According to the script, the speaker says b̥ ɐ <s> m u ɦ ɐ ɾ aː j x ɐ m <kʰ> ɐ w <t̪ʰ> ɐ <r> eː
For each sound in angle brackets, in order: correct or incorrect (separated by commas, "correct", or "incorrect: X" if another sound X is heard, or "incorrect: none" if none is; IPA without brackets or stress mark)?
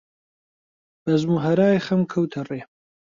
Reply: incorrect: z, correct, correct, correct